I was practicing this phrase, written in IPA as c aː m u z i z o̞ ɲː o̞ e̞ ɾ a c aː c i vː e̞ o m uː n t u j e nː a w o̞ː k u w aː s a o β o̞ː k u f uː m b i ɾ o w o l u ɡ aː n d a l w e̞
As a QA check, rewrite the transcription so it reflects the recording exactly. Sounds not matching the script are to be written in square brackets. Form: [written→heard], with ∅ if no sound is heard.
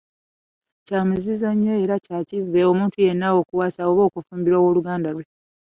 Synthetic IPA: c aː m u z i z o̞ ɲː o̞ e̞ ɾ a c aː c i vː e̞ o m uː n t u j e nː a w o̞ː k u w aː s a o β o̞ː k u f uː m b i ɾ o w o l u ɡ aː n d a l w e̞